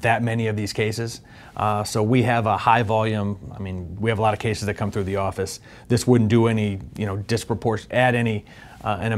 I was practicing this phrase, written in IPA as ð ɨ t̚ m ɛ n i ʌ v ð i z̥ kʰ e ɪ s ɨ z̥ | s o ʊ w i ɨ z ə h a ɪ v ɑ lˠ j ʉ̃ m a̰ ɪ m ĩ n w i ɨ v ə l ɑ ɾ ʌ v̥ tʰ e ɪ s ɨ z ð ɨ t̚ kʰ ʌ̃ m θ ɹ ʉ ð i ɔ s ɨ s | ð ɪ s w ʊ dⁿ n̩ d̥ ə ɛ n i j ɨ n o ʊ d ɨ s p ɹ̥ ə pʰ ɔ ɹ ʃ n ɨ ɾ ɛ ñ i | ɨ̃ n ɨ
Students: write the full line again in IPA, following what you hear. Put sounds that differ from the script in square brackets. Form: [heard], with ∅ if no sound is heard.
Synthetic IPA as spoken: ð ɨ t̚ m ɛ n i ʌ v ð i z̥ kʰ e ɪ s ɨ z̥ | s o ʊ w i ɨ [v] ə h a ɪ v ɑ lˠ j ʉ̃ m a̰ ɪ m ĩ n w i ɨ v ə l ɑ ɾ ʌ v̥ [kʰ] e ɪ s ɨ z ð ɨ t̚ kʰ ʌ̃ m θ ɹ ʉ ð i ɔ [f] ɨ s | ð ɪ s w ʊ dⁿ n̩ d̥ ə ɛ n i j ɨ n o ʊ d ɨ s p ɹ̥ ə pʰ ɔ ɹ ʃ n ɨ ɾ ɛ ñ i | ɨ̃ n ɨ